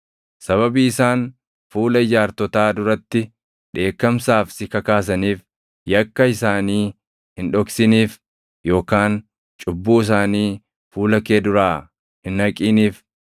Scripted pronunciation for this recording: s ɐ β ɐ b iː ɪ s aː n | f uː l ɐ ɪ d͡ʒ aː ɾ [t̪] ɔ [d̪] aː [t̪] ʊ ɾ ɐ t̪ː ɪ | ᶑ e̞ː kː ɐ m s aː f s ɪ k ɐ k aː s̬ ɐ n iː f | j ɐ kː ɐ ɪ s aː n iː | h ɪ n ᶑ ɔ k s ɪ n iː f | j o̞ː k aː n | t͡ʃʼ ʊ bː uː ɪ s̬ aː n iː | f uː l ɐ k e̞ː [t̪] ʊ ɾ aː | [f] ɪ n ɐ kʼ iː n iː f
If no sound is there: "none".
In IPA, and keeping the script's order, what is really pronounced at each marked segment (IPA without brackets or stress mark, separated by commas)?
t̪, t̪, d̪, d̪, h